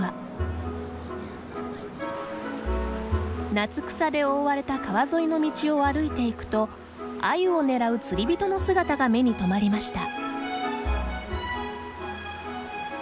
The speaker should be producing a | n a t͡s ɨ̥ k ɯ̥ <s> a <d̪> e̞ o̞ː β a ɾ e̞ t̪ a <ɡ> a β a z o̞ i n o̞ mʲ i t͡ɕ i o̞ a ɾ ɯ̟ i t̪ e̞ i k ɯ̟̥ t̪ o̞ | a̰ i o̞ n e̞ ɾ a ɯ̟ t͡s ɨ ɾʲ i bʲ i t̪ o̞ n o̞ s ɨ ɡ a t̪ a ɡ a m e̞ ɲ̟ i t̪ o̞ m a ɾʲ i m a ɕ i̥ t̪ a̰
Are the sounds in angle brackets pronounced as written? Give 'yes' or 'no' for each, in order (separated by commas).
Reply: yes, yes, no